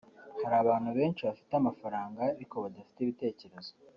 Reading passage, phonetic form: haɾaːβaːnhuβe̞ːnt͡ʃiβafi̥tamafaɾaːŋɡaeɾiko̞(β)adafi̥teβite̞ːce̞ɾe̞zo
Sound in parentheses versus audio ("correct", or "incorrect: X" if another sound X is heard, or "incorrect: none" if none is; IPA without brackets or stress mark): correct